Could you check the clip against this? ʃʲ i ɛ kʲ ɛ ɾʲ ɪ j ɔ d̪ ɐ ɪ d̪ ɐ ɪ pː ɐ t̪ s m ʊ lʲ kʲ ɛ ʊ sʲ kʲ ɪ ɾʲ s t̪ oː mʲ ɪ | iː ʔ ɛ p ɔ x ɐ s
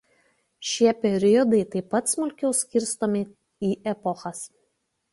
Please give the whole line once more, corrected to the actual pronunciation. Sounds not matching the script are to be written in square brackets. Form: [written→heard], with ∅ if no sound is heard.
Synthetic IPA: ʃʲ i ɛ [kʲ→pʲ] ɛ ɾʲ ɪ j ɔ d̪ ɐ ɪ [d̪→t̪] ɐ ɪ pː ɐ t̪ s m ʊ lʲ kʲ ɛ ʊ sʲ kʲ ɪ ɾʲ s t̪ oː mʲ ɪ | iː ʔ ɛ p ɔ x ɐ s